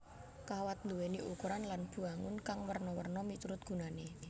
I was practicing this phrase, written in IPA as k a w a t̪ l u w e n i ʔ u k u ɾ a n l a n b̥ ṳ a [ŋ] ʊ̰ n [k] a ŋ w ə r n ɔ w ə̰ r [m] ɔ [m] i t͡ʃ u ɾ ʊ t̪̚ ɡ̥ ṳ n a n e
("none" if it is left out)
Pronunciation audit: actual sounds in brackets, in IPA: ŋ, k, n, m

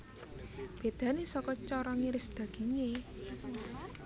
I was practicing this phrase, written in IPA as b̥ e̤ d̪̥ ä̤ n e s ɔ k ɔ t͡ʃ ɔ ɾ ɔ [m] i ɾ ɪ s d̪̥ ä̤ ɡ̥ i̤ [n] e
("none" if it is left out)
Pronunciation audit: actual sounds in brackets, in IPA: ŋ, ŋ

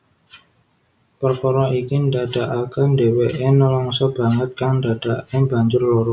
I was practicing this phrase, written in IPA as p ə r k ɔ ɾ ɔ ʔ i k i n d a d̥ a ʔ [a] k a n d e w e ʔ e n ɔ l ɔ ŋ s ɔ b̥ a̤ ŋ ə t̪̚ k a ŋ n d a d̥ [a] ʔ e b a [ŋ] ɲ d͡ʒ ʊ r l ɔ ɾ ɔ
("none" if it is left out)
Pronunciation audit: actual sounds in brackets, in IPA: a, a, none

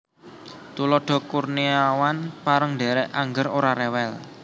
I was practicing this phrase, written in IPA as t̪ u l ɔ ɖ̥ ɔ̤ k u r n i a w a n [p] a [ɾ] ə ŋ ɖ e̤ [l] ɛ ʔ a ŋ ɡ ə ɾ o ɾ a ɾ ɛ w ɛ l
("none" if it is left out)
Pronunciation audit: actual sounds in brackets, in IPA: p, ɾ, ɾ

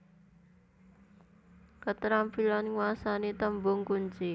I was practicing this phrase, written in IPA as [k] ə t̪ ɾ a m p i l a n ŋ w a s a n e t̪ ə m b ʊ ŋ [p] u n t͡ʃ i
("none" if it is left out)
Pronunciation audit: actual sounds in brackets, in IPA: k, k

